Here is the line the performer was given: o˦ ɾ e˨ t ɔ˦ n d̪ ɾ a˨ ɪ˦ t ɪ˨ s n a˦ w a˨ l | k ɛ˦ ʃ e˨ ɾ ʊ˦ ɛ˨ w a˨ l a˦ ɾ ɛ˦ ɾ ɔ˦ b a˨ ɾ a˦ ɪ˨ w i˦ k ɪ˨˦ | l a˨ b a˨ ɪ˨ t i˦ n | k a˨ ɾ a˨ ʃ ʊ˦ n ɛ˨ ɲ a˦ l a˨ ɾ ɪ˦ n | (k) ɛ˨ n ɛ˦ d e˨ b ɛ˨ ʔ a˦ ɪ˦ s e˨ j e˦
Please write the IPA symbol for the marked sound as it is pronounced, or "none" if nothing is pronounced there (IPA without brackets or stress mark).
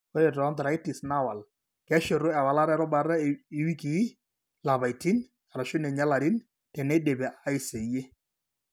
t